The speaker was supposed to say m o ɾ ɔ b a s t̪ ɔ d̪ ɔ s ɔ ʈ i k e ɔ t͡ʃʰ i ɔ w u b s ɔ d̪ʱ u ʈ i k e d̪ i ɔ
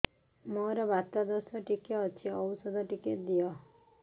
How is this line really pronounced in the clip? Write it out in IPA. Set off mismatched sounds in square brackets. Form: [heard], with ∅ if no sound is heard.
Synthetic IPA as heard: m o ɾ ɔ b a [∅] t̪ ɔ d̪ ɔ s ɔ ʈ i k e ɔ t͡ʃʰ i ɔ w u [∅] s ɔ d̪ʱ [ɔ] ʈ i k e d̪ i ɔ